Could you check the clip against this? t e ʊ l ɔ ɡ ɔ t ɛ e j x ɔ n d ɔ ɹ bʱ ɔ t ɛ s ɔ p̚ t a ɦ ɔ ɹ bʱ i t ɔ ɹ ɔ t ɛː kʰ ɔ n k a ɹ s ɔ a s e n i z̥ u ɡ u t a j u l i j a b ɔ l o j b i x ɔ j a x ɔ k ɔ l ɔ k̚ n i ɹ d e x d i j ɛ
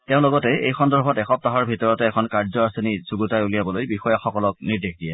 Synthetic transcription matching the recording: t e ʊ̃ l ɔ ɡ ɔ t ɛ e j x ɔ n d ɔ ɹ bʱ ɔ t ɛ x ɔ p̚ t a ɦ ɔ ɹ bʱ i t ɔ ɹ ɔ t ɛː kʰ ɔ n k a ɹ z ɔ a s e n i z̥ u ɡ u t a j u l i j a b ɔ l o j b i x ɔ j a x ɔ k ɔ l ɔ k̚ n i ɹ d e x d i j ɛ